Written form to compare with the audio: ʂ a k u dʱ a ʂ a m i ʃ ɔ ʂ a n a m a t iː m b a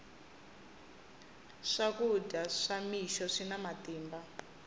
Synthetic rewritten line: ʂ a k u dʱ a ʂ a m i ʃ ɔ ʂ i n a m a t iː m b a